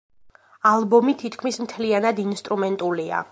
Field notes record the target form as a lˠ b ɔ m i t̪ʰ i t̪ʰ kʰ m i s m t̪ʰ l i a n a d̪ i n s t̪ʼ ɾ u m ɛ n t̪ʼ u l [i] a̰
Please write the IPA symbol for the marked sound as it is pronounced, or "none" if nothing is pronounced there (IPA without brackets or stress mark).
i